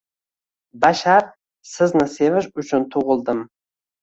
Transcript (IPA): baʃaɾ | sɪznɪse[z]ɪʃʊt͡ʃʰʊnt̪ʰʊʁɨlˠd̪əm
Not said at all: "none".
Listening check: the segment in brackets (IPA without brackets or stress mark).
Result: v